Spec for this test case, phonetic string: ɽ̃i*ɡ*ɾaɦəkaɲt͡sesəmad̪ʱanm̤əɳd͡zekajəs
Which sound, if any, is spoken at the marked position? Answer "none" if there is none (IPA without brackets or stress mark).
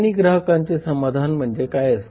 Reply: ɡ